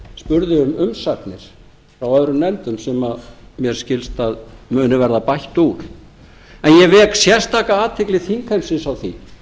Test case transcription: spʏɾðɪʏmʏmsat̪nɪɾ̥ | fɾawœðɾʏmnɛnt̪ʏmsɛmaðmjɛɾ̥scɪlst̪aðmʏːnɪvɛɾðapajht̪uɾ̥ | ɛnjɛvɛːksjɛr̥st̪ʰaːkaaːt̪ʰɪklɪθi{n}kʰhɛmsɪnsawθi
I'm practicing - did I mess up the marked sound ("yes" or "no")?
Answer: yes